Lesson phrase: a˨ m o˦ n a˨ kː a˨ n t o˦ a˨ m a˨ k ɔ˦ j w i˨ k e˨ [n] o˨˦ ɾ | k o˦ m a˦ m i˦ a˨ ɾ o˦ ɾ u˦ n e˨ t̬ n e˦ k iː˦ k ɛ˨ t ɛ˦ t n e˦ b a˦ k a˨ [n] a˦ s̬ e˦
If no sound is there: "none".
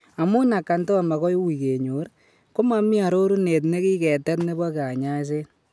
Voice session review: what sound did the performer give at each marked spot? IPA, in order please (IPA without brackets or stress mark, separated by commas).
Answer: ɲ, ɲ